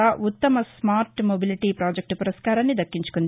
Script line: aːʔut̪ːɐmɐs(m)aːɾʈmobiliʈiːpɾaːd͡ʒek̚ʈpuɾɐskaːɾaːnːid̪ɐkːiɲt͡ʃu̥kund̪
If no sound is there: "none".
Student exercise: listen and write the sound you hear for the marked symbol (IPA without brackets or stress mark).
m